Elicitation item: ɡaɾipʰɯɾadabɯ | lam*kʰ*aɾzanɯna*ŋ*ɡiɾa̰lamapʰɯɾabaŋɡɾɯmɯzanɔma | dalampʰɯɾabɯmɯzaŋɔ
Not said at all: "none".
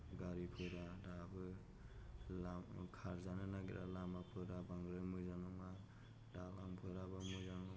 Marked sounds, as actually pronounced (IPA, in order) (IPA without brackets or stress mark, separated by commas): kʰ, none